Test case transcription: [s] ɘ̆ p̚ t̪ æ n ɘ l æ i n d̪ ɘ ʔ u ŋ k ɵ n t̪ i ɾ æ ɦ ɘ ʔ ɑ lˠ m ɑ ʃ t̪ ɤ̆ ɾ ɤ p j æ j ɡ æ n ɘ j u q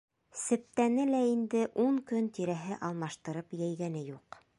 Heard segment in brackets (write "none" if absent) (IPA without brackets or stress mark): s